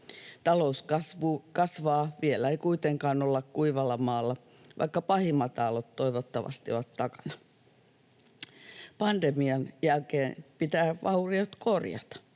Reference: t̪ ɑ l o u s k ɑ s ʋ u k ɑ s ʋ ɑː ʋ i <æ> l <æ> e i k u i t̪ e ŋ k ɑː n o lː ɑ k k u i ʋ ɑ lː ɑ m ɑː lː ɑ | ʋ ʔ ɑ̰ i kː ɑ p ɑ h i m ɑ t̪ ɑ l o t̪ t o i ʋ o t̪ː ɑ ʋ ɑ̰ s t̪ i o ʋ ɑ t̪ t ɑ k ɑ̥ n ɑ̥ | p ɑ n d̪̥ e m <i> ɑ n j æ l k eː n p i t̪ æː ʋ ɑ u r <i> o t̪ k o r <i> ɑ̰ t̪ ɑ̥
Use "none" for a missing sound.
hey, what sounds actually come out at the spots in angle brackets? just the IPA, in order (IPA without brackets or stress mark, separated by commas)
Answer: e, æ, i, i, j